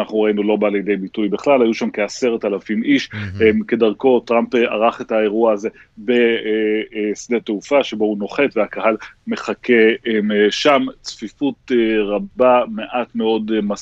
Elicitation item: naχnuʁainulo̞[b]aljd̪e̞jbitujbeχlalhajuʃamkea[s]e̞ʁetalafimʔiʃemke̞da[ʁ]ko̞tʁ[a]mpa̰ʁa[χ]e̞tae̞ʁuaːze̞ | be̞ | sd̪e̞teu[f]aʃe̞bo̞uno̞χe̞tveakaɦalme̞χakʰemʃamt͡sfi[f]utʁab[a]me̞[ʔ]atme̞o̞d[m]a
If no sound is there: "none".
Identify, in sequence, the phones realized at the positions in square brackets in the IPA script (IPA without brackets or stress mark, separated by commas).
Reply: b, s, ʁ, a, χ, f, f, a, ʔ, m